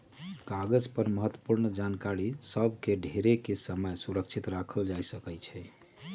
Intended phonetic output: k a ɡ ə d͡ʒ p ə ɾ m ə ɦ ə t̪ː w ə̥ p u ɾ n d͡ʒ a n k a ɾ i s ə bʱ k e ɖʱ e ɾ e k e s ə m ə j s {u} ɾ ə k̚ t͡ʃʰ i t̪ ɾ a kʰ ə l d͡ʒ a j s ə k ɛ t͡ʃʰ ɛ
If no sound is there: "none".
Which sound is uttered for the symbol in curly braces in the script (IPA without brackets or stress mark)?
u